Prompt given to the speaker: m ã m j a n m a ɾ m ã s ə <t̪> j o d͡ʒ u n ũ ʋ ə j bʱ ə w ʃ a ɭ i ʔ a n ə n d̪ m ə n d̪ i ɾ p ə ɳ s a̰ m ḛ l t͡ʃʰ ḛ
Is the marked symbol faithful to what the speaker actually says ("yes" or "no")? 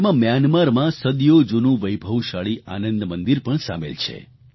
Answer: no